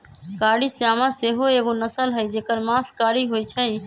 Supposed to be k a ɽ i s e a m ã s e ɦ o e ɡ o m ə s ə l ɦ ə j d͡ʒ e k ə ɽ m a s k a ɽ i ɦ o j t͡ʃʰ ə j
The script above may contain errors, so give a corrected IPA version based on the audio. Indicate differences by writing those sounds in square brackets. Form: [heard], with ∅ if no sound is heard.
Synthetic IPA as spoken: k a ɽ i s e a m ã s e ɦ o e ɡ o [n] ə s ə l ɦ ə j d͡ʒ e k ə [ɾ] m a s k a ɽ i ɦ o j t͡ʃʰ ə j